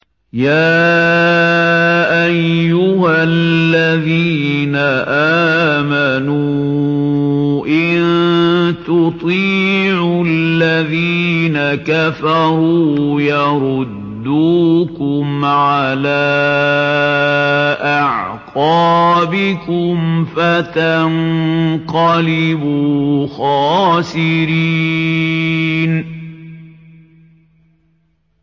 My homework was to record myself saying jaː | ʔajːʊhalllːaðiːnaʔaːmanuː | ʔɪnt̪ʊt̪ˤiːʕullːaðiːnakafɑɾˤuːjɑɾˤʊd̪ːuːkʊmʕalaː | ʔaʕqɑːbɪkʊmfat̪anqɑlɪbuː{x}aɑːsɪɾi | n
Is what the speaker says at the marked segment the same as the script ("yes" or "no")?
yes